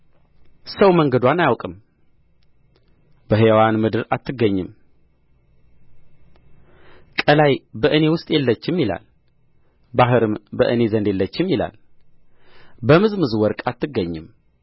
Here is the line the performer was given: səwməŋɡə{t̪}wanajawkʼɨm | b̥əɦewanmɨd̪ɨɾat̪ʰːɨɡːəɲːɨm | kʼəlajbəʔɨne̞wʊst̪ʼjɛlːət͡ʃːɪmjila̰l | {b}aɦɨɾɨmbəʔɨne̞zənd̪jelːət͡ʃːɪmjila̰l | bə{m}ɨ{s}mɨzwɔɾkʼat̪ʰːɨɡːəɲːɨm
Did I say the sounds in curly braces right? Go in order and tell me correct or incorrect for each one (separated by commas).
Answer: incorrect, correct, correct, incorrect